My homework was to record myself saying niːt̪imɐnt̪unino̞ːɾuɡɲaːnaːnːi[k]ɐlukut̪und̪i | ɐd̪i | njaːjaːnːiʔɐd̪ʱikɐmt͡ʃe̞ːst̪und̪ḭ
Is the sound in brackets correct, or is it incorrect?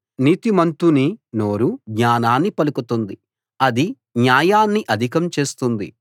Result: incorrect